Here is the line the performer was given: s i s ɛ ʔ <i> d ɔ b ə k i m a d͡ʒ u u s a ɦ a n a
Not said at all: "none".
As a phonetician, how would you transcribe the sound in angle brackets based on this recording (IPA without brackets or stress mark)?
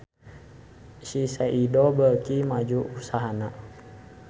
i